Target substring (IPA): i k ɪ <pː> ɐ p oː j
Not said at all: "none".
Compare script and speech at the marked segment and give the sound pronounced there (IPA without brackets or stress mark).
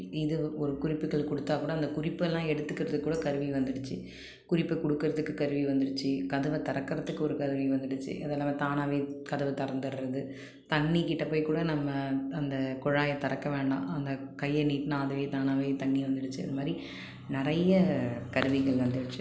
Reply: ʈː